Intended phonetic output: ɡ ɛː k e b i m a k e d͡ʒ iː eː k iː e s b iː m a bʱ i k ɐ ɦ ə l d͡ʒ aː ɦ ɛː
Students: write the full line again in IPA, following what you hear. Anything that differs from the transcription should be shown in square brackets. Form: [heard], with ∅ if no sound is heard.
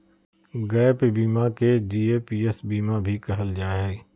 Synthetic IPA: ɡ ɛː [p] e b [iː] m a k e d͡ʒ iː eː [p] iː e s b iː m a bʱ i k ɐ ɦ ə l d͡ʒ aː ɦ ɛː